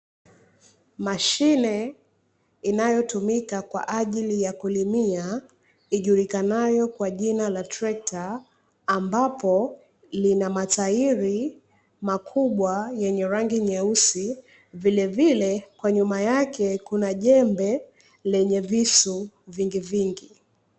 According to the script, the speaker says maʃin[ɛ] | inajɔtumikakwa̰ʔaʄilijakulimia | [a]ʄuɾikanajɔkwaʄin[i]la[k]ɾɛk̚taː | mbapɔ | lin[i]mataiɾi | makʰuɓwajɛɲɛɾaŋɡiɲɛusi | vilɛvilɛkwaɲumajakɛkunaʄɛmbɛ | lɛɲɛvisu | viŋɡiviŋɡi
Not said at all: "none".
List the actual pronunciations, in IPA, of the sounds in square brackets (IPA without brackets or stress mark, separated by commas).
ɛ, i, a, t, a